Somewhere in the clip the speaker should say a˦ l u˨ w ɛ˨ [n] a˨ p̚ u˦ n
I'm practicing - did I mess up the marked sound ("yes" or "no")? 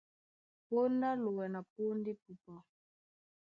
no